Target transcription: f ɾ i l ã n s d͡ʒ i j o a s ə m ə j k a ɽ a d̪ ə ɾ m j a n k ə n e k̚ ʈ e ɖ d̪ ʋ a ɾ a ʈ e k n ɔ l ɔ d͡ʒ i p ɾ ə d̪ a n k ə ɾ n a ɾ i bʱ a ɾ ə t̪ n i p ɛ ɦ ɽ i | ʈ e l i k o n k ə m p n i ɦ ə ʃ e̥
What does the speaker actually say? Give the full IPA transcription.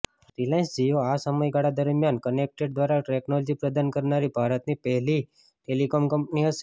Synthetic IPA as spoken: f ɾ i l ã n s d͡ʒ i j o a s ə m ə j ɡ a ɽ a d̪ ə ɾ m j a n k ə n e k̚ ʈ e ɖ d̪ ʋ a ɾ a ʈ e k n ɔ l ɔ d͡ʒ i p ɾ ə d̪ a n k ə ɾ n a ɾ i bʱ a ɾ ə t̪ n i p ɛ ɦ l i | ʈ e l i k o m k ə m p n i ɦ ə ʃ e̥